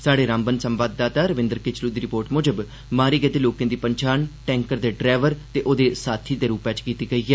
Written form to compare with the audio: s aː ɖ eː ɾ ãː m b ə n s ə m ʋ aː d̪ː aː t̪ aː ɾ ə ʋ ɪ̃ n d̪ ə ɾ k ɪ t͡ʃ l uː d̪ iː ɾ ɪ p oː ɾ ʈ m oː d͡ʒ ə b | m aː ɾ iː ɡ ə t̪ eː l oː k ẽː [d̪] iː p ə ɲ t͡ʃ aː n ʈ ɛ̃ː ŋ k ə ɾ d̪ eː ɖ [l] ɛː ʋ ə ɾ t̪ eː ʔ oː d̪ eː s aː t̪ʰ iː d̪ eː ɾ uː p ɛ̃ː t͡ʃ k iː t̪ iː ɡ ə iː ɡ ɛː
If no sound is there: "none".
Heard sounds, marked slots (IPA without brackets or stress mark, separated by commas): d̪, ɾ